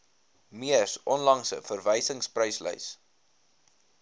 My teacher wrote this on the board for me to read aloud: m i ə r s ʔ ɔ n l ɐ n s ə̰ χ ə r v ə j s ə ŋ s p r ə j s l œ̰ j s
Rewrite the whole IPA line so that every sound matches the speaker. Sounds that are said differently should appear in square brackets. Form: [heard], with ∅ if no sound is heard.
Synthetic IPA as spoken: m i ə r s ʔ ɔ n l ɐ [ŋ] s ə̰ [f] ə r v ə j s ə ŋ s p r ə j s l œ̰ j s